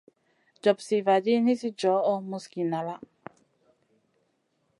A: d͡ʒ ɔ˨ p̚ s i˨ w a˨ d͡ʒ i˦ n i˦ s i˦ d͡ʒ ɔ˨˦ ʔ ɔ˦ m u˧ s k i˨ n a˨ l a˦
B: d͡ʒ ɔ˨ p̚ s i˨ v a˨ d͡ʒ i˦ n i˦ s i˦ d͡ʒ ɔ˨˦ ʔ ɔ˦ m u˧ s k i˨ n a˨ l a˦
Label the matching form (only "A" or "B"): B